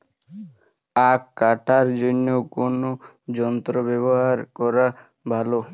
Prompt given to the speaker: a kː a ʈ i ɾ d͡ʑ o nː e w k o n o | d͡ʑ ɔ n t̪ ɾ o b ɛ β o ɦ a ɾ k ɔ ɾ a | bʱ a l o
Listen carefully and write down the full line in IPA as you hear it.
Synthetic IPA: a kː a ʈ a ɾ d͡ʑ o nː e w k o n o | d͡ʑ ɔ n t̪ ɾ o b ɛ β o ɦ a ɾ k ɔ ɾ a | bʱ a l o